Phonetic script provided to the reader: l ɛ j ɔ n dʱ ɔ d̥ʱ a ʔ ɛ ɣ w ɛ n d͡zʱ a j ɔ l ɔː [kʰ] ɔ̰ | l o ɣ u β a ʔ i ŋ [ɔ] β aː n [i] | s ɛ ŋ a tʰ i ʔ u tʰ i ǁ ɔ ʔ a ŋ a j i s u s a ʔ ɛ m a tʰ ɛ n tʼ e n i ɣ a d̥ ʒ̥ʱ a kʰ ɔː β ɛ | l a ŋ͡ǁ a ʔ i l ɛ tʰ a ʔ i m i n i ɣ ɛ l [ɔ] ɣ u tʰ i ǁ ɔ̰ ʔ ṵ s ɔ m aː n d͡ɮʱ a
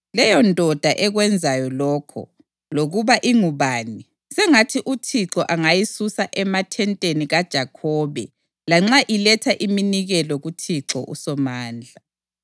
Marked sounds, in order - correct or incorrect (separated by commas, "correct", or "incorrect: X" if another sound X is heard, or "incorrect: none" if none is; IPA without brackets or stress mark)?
correct, incorrect: u, correct, correct